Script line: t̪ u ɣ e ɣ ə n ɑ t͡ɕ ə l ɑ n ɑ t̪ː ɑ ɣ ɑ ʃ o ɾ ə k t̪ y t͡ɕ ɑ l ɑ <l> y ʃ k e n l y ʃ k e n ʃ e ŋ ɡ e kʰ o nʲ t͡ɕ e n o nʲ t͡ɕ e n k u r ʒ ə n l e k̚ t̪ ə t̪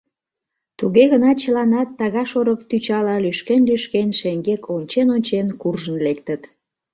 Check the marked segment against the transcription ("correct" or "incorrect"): correct